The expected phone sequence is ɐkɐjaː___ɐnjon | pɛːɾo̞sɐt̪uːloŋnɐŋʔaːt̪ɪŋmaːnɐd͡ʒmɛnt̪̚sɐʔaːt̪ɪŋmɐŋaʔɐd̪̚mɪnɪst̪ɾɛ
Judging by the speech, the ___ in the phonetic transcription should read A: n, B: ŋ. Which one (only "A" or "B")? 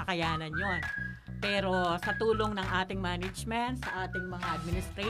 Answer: A